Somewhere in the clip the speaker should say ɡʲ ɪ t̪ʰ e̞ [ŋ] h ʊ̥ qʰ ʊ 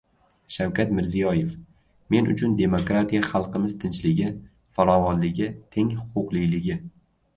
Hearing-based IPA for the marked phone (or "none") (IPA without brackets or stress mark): ŋ